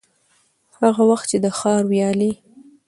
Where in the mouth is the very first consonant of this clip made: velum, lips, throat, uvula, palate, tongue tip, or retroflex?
throat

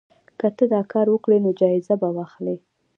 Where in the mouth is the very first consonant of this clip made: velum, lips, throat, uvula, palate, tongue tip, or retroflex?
velum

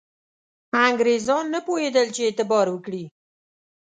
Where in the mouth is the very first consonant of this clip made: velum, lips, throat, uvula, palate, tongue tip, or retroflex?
velum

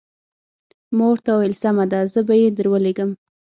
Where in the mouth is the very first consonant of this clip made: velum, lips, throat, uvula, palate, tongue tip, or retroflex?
lips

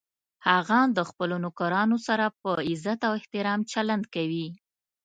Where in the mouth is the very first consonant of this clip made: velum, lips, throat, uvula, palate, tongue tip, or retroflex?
throat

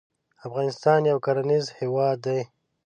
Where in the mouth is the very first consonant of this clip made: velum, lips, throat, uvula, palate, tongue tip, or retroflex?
lips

